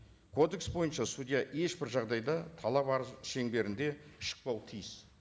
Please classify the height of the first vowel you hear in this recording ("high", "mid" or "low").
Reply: mid